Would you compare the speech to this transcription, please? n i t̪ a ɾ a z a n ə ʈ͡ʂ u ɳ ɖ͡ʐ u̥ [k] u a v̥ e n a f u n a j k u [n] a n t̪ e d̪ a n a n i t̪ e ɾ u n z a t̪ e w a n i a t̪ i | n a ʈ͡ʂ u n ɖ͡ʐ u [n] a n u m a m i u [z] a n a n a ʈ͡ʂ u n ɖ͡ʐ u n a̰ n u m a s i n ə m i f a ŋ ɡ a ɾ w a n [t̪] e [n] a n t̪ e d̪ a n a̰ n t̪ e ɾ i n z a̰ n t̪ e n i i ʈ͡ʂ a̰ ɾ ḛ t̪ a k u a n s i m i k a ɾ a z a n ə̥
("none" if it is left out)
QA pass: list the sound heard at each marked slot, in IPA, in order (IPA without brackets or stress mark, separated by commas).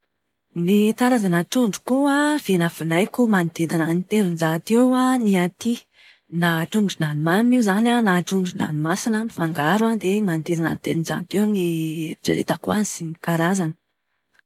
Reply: k, m, n, z, d̪, m